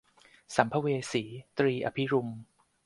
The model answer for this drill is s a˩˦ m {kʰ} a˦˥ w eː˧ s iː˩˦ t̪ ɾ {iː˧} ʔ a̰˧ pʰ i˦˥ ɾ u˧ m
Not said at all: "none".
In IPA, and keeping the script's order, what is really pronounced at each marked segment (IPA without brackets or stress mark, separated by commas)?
pʰ, iː˧